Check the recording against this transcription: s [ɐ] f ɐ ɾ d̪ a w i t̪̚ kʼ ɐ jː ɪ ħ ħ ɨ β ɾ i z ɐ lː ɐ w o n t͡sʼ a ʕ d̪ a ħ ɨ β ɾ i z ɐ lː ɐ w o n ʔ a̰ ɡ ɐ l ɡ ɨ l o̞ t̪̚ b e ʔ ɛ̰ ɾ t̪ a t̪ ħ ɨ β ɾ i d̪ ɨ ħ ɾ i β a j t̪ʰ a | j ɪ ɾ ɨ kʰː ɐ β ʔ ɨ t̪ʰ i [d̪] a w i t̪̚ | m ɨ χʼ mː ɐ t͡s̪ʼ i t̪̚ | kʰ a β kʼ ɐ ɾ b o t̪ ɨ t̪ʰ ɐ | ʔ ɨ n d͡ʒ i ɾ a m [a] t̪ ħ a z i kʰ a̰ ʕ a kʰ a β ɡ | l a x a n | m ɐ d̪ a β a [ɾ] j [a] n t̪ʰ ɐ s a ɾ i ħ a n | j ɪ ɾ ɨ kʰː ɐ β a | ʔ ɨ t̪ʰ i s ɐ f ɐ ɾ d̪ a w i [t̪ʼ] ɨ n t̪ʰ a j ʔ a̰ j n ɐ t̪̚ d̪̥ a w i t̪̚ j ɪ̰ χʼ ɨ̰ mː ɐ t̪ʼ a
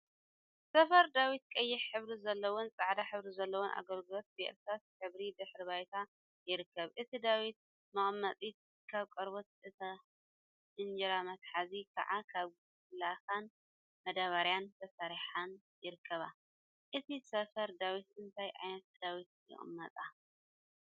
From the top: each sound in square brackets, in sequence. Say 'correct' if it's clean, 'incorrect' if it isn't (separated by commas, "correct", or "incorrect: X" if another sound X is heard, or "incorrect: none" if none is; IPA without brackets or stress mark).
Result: correct, correct, incorrect: ɐ, correct, correct, incorrect: t̪